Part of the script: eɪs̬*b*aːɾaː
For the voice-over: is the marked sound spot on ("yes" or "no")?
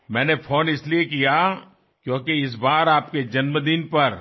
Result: yes